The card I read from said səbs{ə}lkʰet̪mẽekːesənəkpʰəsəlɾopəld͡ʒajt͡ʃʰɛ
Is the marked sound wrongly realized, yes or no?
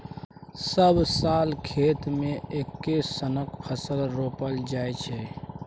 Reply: yes